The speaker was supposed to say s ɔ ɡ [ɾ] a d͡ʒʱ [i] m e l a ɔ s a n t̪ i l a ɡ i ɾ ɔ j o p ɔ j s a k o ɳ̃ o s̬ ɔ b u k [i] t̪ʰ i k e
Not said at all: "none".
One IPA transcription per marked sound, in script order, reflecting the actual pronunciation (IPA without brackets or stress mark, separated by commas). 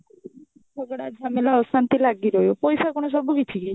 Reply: ɽ, a, i